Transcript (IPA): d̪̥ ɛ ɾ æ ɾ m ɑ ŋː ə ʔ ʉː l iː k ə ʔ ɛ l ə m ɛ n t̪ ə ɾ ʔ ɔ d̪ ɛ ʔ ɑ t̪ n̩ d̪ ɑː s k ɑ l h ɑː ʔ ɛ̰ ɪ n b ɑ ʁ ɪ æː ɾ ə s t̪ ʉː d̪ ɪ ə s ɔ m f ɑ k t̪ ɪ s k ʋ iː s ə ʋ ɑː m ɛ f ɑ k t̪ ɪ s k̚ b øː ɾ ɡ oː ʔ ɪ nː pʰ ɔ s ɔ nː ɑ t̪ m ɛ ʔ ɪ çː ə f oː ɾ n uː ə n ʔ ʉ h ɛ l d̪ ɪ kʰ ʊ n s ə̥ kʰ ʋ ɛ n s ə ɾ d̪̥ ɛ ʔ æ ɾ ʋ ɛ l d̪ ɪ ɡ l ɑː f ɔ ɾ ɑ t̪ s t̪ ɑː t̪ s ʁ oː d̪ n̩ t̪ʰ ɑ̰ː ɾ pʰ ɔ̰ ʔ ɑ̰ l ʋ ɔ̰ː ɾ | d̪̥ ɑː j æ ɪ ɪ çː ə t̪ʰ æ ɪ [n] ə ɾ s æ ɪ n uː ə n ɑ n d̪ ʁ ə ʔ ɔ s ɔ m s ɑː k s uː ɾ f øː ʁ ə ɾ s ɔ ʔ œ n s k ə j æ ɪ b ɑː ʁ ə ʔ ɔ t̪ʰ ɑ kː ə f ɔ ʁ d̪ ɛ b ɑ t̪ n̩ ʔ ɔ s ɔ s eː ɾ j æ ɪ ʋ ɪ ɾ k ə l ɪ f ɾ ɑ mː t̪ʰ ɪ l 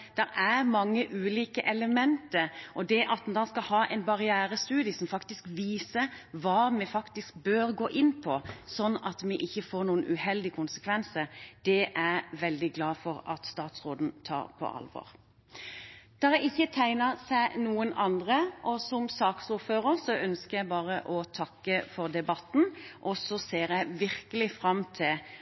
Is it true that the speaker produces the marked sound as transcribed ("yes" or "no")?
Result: yes